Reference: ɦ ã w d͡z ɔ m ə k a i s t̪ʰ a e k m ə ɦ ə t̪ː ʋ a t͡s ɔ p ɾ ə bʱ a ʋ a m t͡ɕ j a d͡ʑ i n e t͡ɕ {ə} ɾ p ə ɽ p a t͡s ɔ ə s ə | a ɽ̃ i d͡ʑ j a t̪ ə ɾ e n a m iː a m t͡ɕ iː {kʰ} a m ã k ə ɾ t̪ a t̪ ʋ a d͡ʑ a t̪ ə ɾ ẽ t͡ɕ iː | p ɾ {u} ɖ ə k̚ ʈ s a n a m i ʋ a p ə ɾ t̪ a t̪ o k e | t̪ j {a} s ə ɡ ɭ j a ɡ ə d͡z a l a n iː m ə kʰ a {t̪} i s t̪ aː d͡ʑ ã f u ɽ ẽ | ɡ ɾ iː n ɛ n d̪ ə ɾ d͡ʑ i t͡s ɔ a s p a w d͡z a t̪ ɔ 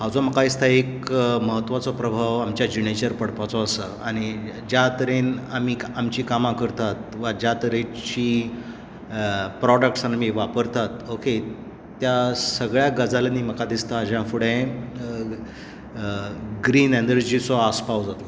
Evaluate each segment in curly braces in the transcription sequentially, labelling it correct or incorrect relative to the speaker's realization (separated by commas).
correct, incorrect, incorrect, correct, incorrect